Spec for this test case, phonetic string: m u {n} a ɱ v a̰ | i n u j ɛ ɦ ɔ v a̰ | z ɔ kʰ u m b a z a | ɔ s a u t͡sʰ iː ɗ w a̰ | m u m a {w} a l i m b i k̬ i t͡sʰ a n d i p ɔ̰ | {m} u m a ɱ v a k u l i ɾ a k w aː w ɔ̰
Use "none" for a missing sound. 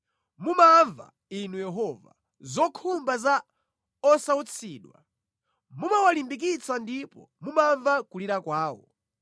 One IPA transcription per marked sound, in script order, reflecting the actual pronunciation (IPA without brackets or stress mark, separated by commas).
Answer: m, w, m